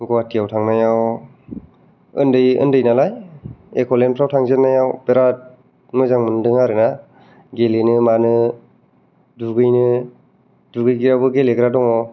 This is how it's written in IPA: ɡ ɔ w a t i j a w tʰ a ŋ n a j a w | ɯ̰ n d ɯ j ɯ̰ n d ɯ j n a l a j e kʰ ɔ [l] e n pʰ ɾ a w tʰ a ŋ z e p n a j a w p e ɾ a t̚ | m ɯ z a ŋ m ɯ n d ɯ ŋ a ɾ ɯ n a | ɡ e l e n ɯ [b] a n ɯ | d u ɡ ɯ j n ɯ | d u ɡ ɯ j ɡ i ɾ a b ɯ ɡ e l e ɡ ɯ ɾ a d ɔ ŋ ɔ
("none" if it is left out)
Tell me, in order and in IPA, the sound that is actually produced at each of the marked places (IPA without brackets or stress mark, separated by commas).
l, m